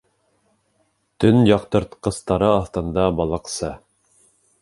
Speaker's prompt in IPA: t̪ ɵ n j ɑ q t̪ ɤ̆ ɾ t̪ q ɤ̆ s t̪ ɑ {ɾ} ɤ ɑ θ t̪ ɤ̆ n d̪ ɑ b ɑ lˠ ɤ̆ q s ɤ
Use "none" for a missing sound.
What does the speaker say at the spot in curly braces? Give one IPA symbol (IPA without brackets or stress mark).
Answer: ɾ